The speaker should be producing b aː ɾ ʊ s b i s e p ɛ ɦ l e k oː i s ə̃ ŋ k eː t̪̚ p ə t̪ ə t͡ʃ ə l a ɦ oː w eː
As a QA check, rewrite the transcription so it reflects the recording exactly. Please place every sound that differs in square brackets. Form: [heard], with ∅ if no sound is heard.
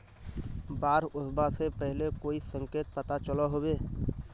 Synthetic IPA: b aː ɾ ʊ s b [a] s e p ɛ ɦ l e k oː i s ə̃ ŋ k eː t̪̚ p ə t̪ [a] t͡ʃ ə l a ɦ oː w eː